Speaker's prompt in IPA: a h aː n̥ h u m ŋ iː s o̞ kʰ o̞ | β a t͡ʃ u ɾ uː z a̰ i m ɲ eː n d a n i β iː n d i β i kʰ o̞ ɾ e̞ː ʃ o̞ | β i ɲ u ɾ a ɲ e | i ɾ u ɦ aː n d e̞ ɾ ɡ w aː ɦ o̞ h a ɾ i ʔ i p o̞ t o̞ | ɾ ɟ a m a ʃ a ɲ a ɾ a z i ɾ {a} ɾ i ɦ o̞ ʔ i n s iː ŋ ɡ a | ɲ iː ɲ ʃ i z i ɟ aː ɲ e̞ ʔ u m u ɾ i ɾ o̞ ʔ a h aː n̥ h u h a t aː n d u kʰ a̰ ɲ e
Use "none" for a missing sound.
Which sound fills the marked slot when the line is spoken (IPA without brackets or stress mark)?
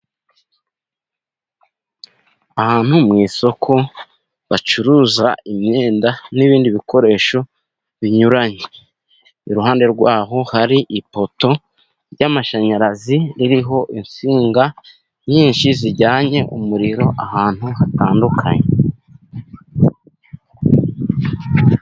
i